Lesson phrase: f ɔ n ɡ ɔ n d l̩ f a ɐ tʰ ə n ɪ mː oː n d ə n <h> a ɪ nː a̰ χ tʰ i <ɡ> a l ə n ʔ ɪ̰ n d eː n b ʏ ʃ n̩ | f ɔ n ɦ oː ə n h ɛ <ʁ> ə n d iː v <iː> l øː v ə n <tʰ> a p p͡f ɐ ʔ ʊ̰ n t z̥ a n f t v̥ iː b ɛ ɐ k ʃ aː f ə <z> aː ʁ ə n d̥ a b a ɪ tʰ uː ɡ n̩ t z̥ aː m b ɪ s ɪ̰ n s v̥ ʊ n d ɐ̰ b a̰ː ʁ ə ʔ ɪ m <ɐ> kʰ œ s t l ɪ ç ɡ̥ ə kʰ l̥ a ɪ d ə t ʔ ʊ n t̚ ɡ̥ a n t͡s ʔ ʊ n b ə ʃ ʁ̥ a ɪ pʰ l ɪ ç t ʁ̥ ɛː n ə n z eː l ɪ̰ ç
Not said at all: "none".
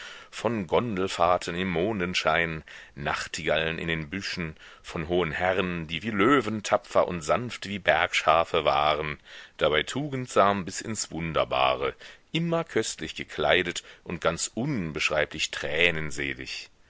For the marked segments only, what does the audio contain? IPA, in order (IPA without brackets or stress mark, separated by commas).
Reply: ʃ, ɡ, ʁ, iː, tʰ, v, ɐ